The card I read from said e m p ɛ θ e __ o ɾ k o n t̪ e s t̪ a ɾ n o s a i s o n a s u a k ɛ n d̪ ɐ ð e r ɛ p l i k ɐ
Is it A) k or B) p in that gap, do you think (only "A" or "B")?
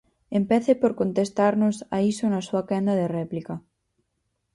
B